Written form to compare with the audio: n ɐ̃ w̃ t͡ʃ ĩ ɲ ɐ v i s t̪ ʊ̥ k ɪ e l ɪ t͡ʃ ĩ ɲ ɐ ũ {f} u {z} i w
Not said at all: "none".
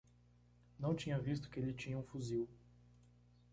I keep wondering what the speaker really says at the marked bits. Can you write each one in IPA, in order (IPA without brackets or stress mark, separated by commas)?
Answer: f, z